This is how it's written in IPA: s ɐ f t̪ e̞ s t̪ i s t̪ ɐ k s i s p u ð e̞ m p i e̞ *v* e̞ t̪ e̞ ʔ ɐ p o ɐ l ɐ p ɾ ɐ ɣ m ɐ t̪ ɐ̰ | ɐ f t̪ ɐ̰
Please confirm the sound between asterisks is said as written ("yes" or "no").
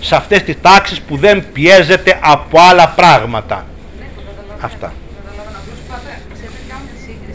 no